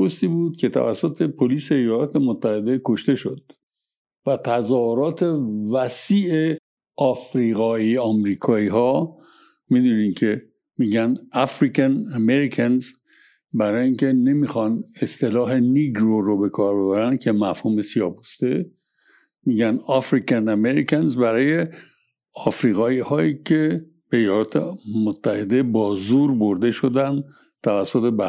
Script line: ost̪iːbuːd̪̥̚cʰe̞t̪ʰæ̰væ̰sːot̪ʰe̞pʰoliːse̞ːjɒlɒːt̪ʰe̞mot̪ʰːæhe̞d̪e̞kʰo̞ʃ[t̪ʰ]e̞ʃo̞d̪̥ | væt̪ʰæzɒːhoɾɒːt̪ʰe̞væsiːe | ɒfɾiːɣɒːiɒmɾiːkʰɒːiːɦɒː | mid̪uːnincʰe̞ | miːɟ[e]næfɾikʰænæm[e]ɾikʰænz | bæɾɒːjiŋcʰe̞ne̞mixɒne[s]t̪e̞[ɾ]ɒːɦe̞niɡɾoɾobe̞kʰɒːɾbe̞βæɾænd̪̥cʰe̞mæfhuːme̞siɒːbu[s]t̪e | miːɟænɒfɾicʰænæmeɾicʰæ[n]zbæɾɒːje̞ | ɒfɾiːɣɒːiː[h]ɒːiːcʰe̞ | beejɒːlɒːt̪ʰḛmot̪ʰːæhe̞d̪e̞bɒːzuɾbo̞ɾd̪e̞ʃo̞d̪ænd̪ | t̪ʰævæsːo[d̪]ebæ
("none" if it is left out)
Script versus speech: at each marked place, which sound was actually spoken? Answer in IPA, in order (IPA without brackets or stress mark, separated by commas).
t̪, æ, e, s, l, s, n, h, t̪